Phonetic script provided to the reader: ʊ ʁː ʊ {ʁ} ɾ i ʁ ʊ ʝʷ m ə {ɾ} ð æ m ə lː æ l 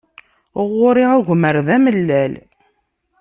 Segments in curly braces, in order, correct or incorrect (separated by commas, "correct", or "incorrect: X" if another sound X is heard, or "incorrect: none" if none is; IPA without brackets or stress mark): incorrect: none, correct